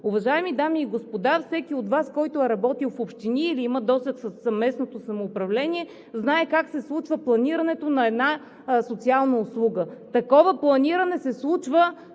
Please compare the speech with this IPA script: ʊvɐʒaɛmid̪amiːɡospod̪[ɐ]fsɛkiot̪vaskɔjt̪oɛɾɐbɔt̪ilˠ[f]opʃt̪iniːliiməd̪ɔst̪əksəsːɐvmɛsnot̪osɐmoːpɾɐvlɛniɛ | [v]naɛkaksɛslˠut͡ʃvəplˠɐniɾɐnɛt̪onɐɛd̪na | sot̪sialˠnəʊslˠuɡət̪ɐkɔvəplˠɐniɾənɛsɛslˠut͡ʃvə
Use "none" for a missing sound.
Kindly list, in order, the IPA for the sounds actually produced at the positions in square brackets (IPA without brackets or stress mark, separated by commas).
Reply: a, f, z